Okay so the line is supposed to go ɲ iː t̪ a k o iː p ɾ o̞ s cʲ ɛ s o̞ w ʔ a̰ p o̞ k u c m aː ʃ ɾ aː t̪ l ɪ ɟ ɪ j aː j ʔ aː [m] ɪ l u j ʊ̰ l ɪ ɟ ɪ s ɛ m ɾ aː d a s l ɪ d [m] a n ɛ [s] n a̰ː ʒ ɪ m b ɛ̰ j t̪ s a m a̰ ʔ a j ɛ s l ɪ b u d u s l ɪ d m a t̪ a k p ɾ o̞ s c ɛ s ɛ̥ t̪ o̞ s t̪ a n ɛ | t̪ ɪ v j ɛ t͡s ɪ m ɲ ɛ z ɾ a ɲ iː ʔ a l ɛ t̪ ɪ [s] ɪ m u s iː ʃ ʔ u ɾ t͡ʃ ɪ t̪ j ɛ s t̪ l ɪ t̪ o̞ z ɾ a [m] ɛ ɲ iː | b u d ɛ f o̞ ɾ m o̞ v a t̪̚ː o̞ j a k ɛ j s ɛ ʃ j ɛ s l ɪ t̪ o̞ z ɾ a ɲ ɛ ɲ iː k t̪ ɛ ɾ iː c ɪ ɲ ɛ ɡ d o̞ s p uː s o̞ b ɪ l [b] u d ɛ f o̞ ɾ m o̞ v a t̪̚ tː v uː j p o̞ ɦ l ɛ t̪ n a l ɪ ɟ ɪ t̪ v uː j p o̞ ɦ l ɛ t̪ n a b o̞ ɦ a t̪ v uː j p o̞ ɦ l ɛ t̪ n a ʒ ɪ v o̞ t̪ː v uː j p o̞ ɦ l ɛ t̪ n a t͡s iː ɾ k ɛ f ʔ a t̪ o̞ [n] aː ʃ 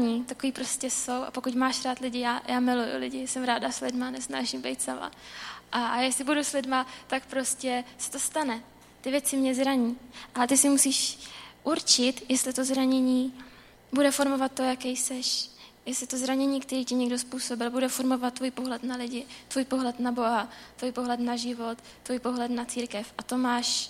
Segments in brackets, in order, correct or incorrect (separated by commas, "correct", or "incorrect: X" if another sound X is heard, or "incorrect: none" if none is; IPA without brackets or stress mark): correct, correct, correct, correct, incorrect: ɲ, correct, incorrect: m